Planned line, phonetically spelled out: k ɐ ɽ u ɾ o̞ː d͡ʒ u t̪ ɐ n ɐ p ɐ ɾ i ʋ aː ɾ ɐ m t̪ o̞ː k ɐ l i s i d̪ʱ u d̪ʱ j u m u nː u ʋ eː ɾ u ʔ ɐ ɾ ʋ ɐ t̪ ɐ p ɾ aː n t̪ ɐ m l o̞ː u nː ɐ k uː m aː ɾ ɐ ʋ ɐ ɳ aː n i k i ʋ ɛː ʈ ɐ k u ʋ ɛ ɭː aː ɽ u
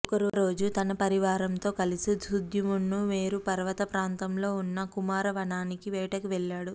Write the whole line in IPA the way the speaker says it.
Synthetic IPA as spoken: k ɐ ɾ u ɾ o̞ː d͡ʒ u t̪ ɐ n ɐ p ɐ ɾ i ʋ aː ɾ ɐ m t̪ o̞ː k ɐ l i s i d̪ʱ u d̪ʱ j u m u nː u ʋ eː ɾ u p ɐ ɾ ʋ ɐ t̪ ɐ p ɾ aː n t̪ ɐ m l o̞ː u nː ɐ k u m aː ɾ ɐ ʋ ɐ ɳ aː n i k i ʋ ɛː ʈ ɐ k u ʋ ɛ ɭː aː ɽ u

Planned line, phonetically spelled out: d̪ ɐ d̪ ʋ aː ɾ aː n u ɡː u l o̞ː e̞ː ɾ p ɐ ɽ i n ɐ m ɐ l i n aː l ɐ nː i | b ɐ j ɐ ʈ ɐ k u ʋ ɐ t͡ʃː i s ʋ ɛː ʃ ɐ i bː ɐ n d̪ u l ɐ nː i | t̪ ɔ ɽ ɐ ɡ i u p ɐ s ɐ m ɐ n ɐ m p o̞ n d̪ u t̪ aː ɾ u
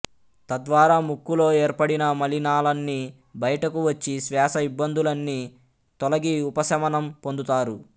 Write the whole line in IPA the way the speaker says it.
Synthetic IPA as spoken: t̪ ɐ d̪ ʋ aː ɾ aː m u kː u l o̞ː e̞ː ɾ p ɐ ɽ i n ɐ m ɐ l i n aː l ɐ nː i | b ɐ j ɐ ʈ ɐ k u ʋ ɐ t͡ʃː i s ʋ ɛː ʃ ɐ i bː ɐ n d̪ u l ɐ nː i | t̪ ɔ l ɐ ɡ i u p ɐ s ɐ m ɐ n ɐ m p o̞ n d̪ u t̪ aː ɾ u

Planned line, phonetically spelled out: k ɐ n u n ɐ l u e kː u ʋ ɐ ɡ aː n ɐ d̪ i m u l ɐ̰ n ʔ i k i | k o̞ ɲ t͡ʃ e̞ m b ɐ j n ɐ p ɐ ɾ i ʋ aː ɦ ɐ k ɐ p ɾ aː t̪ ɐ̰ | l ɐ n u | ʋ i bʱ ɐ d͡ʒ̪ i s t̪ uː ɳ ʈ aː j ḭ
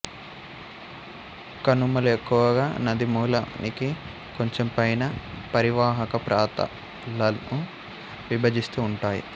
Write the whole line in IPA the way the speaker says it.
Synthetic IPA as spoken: k ɐ n u m ɐ l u e kː u ʋ ɐ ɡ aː n ɐ d̪ i m uː l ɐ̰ n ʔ i k i | k o̞ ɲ t͡ʃ e̞ m p ɐ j n ɐ p ɐ ɾ i ʋ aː ɦ ɐ k ɐ p ɾ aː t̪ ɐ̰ | l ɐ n u | ʋ i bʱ ɐ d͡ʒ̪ i s t̪ uː ɳ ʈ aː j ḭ

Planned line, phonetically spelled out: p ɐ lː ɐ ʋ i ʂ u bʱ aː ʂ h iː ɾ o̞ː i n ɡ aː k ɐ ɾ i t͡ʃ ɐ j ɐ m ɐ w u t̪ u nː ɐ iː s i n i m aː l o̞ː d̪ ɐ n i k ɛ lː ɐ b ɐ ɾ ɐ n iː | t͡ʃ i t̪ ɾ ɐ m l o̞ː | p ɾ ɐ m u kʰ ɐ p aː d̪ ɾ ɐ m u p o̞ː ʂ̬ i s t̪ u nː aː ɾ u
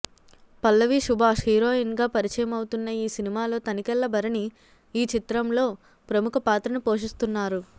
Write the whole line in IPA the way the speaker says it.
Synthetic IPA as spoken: p ɐ lː ɐ ʋ i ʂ u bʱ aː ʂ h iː ɾ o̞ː i n ɡ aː p ɐ ɾ i t͡ʃ ɐ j ɐ m ɐ w u t̪ u nː ɐ iː s i n i m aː l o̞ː t̪ ɐ n i k ɛ lː ɐ b ɐ ɾ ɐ n iː | t͡ʃ i t̪ ɾ ɐ m l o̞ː | p ɾ ɐ m u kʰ ɐ p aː t̪ ɾ ɐ n u p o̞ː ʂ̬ i s t̪ u nː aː ɾ u

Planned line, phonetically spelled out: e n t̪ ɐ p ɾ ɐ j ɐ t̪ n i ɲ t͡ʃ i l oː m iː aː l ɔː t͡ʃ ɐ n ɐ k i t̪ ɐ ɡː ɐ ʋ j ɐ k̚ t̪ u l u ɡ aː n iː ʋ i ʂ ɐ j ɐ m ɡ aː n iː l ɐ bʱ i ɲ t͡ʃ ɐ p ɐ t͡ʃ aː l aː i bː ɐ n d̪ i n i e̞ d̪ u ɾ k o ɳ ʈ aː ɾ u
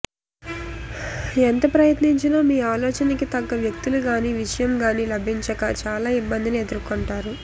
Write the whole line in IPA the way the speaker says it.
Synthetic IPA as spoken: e n t̪ ɐ p ɾ ɐ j ɐ t̪ n i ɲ t͡ʃ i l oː m iː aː l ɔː t͡ʃ ɐ n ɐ k i t̪ ɐ ɡː ɐ ʋ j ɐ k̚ t̪ u l u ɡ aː n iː ʋ i ʂ ɐ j ɐ m ɡ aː n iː l ɐ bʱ i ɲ t͡ʃ ɐ k ɐ t͡ʃ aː l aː i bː ɐ n d̪ i n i e̞ d̪ u ɾ k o ɳ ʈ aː ɾ u

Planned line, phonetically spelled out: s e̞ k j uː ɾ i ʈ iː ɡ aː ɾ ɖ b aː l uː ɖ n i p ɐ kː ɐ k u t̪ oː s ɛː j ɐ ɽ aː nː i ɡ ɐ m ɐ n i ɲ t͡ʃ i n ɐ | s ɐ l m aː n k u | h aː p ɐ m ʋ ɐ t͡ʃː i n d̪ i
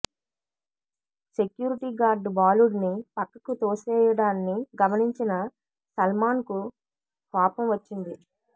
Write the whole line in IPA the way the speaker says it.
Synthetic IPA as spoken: s e̞ k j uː ɾ i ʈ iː ɡ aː ɾ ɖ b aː l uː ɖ n i p ɐ kː ɐ k u t̪ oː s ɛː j ɐ ɽ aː nː i ɡ ɐ m ɐ n i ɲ t͡ʃ i n ɐ | s ɐ l m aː n k u | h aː p ɐ m ʋ ɐ t͡ʃː i n d̪ i

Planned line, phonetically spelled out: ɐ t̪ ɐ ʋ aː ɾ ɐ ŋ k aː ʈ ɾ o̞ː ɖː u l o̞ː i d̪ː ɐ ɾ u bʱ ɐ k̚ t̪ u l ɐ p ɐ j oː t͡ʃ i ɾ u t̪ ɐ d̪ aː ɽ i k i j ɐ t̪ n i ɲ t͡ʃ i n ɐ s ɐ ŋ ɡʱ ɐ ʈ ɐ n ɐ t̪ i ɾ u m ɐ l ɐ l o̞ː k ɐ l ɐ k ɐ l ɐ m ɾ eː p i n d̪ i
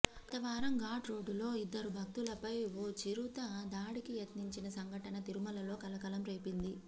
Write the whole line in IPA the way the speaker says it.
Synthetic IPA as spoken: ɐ t̪ ɐ ʋ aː ɾ ɐ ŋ ɡ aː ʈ ɾ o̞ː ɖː u l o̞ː i d̪ː ɐ ɾ u bʱ ɐ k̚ t̪ u l ɐ p ɐ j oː t͡ʃ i ɾ u t̪ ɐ d̪ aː ɽ i k i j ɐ t̪ n i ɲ t͡ʃ i n ɐ s ɐ ŋ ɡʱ ɐ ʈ ɐ n ɐ t̪ i ɾ u m ɐ l ɐ l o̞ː k ɐ l ɐ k ɐ l ɐ m ɾ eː p i n d̪ i

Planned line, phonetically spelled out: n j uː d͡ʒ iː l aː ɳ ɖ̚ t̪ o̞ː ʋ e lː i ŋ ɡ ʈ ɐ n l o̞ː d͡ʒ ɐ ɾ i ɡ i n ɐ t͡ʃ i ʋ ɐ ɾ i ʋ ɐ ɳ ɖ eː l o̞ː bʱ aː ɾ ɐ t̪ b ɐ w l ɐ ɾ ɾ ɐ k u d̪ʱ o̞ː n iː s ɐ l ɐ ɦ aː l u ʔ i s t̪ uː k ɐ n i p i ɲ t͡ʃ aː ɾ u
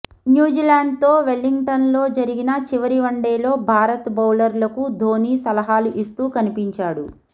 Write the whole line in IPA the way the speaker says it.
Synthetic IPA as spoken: n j uː d͡ʒ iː l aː ɳ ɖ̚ t̪ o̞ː ʋ e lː i ŋ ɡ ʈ ɐ n l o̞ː d͡ʒ ɐ ɾ i ɡ i n ɐ t͡ʃ i ʋ ɐ ɾ i ʋ ɐ ɳ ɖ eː l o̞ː bʱ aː ɾ ɐ t̪ b ɐ w l ɐ ɾ l ɐ k u d̪ʱ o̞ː n iː s ɐ l ɐ ɦ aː l u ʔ i s t̪ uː k ɐ n i p i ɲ t͡ʃ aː ɽ u

